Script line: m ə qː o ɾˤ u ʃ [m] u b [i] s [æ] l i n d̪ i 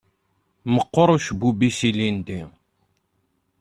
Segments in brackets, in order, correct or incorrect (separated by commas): incorrect, correct, incorrect